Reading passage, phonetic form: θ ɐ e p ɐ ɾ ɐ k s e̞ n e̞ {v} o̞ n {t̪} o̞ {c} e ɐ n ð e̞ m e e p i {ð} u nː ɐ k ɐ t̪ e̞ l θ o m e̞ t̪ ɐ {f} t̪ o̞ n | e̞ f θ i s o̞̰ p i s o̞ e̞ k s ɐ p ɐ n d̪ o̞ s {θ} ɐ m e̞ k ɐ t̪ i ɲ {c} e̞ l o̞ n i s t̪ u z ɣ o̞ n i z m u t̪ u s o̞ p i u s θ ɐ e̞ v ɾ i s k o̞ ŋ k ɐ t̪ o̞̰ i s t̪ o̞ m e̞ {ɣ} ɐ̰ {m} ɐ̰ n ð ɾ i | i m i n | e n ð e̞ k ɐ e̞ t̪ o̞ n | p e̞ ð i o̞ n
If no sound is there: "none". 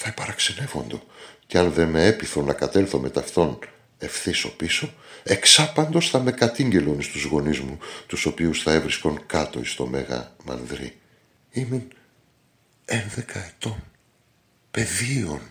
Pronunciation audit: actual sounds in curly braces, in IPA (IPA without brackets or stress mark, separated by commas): v, d̪, c, θ, f, θ, ɟ, ɣ, m